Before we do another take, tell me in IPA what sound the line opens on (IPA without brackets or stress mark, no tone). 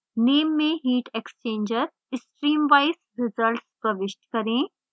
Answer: n